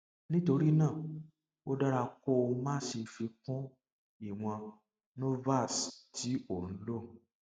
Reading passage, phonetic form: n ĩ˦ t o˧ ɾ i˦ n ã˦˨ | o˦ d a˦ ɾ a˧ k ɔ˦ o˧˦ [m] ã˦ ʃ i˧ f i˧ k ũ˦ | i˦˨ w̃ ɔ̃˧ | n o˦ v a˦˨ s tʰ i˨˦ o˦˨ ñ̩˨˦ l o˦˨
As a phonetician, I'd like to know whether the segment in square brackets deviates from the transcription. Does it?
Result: no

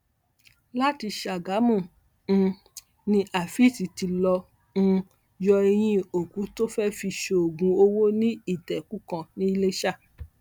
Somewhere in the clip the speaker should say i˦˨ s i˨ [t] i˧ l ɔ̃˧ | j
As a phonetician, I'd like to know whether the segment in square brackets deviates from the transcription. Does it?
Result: no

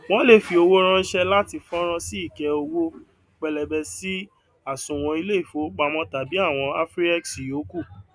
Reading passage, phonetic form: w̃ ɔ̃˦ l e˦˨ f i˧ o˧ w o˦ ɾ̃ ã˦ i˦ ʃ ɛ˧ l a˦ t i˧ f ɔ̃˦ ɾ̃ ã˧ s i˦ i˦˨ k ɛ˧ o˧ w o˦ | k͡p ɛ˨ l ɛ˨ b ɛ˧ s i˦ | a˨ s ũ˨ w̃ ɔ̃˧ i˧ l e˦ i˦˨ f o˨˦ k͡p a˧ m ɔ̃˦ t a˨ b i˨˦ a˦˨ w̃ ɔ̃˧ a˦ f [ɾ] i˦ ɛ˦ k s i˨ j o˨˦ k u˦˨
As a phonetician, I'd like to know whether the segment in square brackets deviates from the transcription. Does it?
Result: no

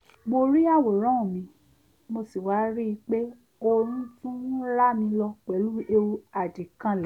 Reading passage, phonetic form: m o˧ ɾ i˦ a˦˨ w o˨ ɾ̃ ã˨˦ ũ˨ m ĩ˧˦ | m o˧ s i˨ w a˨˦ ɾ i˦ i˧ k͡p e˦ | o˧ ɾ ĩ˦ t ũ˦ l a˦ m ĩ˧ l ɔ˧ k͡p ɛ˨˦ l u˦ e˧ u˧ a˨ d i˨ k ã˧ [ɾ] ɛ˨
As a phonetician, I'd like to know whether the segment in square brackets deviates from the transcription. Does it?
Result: yes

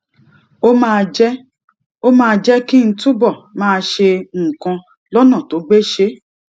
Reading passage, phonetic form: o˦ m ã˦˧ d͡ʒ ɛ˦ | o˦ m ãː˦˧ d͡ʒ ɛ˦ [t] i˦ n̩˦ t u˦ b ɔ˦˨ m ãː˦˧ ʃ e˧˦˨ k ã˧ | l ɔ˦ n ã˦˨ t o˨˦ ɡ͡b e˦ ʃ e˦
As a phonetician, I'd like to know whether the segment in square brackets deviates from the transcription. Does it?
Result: yes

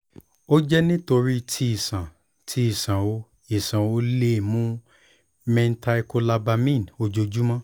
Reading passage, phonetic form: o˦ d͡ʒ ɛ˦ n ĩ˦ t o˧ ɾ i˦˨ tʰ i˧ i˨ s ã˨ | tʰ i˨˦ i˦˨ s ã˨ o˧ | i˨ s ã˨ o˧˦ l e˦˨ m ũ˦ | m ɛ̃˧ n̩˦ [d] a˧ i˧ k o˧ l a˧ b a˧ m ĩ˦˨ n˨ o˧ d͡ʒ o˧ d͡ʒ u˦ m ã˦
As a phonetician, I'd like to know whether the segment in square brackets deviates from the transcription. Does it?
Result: yes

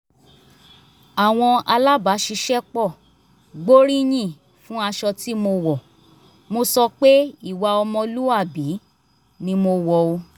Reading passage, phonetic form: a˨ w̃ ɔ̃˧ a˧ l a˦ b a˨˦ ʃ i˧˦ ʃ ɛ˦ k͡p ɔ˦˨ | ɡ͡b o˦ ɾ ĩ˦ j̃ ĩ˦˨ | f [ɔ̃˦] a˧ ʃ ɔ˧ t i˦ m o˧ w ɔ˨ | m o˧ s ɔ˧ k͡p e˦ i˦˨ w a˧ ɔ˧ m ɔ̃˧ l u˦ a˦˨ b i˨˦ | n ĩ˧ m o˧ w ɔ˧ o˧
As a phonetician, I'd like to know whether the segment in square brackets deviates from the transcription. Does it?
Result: yes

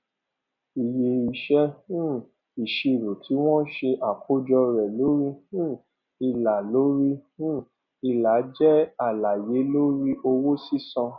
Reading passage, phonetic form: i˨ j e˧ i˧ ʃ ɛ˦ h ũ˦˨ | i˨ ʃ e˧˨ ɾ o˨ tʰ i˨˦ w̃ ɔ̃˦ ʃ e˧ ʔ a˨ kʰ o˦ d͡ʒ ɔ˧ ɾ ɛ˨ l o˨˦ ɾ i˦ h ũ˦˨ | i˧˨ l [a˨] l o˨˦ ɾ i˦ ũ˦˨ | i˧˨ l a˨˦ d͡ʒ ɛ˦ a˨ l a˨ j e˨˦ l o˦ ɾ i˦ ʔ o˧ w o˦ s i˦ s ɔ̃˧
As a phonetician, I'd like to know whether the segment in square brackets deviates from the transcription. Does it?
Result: no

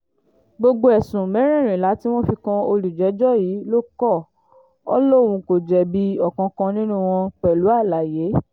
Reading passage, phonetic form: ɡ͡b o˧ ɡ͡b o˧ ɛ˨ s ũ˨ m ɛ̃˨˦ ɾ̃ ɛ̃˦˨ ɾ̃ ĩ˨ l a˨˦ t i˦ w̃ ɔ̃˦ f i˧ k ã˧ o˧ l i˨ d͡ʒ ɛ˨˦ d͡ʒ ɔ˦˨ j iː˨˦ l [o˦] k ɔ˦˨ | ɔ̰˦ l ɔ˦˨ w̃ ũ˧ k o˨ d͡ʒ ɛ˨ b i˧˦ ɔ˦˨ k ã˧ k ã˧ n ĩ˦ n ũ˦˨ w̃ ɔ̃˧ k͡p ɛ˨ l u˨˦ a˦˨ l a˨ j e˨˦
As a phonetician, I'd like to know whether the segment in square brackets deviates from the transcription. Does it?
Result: no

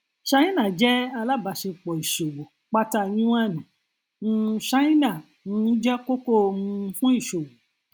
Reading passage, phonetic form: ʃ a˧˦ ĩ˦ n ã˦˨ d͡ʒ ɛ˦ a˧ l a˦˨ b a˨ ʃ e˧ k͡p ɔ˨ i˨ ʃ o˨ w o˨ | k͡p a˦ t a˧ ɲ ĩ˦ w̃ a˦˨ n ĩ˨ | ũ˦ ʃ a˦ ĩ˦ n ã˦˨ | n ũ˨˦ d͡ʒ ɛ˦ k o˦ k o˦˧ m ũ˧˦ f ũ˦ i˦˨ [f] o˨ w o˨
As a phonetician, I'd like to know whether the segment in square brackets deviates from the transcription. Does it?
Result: yes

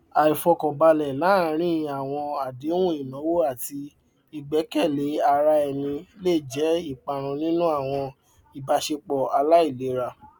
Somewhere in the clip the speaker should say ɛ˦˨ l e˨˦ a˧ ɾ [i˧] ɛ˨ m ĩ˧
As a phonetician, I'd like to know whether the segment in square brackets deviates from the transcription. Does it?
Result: yes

